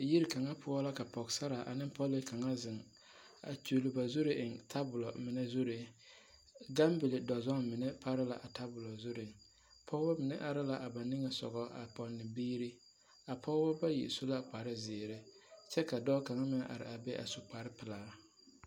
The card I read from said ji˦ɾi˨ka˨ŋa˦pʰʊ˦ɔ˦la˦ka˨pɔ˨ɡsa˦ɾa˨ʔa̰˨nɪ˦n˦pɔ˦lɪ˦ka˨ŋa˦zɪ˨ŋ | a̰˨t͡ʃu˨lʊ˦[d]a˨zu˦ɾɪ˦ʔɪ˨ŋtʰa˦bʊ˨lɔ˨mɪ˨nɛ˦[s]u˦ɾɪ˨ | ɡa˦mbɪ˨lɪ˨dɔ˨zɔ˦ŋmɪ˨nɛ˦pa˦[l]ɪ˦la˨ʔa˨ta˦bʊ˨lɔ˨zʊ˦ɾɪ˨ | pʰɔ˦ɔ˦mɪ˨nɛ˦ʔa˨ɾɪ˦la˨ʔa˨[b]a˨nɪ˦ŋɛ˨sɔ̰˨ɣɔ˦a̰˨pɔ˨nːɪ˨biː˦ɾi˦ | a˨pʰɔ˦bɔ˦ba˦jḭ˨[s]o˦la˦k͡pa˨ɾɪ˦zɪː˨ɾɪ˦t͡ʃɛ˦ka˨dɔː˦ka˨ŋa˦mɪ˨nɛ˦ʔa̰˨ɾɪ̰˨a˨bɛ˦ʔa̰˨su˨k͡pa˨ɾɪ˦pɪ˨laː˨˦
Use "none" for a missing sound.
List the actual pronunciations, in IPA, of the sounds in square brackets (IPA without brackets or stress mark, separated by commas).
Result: b, z, ɾ, b, s